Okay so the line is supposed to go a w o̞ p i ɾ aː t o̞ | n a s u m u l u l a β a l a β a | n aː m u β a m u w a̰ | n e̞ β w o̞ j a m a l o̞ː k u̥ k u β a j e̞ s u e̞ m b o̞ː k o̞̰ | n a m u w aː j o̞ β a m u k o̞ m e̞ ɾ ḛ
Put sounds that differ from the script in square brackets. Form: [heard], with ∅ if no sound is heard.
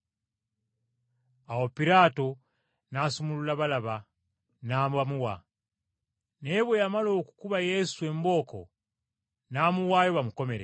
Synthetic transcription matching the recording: a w o̞ p i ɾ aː t o̞ | n a s u m u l u l a β a l a β a | n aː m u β a m u w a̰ | n e̞ β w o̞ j a m a l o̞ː k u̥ k u β a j e̞ s u e̞ m b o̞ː k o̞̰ | n a m u w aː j o̞ β a m u k o̞ m e̞ ɾ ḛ

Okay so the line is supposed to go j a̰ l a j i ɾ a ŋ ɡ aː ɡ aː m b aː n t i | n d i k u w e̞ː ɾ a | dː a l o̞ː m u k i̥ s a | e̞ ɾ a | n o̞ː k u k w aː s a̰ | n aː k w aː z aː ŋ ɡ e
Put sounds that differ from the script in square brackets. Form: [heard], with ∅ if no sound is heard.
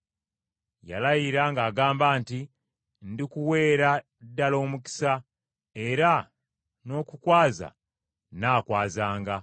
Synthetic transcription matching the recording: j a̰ l a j i ɾ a ŋ ɡ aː ɡ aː m b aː n t i | n d i k u w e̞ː ɾ a | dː a l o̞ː m u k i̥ s a | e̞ ɾ a | n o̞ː k u k w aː [z] a̰ | n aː k w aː z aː ŋ ɡ [a]

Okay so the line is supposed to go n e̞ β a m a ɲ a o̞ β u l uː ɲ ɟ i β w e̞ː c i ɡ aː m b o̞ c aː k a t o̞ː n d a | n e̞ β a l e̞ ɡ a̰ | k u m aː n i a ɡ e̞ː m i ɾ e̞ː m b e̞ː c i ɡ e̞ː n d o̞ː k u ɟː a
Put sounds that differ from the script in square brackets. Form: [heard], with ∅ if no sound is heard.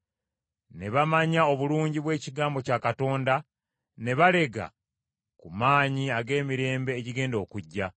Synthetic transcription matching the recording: n e̞ β a m a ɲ a o̞ β u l uː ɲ ɟ i β w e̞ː c i ɡ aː m b o̞ c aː k a t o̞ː n d a | n e̞ β a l e̞ ɡ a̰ | k u m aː [ɲ] i a ɡ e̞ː m i ɾ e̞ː m b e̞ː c i ɡ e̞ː n d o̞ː k u ɟː a

